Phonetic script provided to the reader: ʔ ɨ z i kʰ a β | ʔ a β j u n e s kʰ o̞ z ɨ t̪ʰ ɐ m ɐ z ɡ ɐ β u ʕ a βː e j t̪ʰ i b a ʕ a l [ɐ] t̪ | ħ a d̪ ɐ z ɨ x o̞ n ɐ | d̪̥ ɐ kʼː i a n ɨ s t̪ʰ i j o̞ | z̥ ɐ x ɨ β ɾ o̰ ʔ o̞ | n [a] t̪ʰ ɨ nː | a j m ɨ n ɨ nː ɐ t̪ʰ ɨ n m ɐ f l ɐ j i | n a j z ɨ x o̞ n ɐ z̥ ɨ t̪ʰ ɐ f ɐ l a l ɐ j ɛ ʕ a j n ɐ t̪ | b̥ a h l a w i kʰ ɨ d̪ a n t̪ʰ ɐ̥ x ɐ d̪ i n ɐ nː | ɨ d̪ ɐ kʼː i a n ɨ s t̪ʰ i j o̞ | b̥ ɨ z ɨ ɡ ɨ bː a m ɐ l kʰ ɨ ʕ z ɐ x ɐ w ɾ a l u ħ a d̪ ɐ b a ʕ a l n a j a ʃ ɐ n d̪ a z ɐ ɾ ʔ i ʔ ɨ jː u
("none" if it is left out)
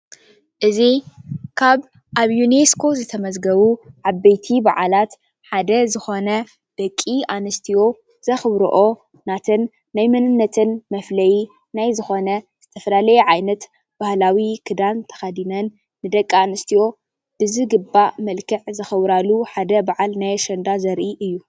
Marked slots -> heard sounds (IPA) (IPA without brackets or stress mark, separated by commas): a, a